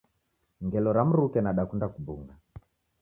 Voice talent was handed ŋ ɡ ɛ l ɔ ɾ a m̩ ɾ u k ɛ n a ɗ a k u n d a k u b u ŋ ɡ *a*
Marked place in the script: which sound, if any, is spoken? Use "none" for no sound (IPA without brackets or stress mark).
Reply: a